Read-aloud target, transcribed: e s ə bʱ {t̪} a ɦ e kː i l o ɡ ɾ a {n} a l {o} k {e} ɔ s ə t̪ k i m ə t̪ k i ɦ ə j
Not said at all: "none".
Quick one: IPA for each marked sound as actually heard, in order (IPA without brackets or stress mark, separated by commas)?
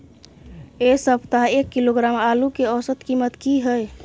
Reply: t̪, m, u, e